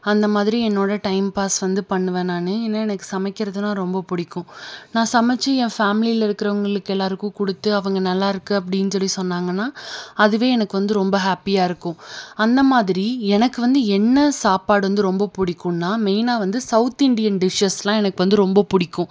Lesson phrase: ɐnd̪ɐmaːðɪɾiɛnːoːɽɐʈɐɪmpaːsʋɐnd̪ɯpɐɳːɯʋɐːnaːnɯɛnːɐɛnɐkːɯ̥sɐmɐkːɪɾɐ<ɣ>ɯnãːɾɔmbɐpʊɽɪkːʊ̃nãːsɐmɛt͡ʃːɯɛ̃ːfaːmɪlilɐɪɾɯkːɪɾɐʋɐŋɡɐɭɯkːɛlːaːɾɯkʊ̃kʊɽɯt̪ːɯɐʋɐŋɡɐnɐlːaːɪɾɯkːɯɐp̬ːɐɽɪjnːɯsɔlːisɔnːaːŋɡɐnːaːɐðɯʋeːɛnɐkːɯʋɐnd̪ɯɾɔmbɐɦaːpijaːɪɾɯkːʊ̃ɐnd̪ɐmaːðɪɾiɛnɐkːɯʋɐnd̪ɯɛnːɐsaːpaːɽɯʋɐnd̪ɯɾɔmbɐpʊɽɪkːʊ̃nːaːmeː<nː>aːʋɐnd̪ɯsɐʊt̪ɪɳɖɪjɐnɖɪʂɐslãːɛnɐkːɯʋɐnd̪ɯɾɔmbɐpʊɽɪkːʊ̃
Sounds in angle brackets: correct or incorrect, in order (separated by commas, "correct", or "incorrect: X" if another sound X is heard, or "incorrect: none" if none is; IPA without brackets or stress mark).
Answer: incorrect: ð, incorrect: n